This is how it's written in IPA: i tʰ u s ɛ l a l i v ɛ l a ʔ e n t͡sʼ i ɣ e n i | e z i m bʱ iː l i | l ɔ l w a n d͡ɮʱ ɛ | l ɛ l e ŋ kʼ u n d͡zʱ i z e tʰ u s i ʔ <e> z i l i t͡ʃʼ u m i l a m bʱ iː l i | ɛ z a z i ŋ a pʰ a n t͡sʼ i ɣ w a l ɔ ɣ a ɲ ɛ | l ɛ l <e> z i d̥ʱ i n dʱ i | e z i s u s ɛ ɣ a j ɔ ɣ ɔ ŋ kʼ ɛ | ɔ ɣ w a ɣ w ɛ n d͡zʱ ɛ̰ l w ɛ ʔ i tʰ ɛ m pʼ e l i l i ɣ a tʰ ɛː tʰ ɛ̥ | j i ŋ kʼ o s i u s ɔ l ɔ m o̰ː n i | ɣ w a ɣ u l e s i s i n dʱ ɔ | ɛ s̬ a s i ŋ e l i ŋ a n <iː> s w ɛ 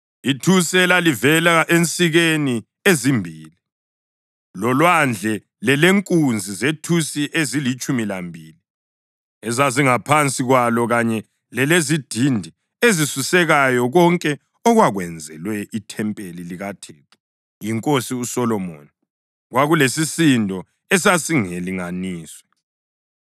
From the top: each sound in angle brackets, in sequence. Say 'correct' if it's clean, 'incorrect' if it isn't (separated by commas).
correct, correct, correct